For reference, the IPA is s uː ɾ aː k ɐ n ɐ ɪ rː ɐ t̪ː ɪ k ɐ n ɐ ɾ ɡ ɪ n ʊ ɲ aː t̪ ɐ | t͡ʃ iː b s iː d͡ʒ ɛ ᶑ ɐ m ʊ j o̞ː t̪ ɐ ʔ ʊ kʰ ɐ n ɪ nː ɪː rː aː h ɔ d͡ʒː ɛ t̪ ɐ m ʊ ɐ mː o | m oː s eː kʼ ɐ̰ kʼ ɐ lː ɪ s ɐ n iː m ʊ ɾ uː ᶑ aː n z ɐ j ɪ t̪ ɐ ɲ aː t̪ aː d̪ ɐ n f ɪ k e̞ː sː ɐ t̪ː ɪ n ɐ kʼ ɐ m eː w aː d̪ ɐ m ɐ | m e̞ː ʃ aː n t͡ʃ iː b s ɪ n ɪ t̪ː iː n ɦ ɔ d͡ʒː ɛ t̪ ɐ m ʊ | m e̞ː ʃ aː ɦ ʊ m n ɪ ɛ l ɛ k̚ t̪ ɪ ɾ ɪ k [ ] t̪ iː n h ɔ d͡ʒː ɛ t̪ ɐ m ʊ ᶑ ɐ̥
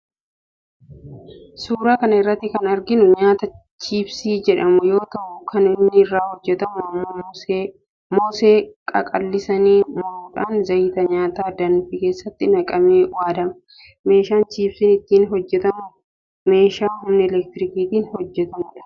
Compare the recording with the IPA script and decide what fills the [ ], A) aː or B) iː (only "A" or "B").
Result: B